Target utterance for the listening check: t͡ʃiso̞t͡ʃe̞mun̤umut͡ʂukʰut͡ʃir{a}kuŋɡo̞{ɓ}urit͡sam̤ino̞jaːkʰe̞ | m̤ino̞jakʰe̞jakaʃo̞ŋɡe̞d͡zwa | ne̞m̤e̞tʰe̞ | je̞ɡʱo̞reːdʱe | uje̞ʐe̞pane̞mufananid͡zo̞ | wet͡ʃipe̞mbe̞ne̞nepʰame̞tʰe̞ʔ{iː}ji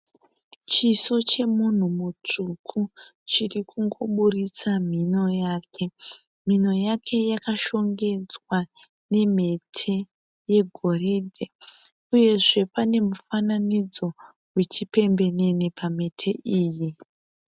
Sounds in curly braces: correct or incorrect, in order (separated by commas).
incorrect, correct, correct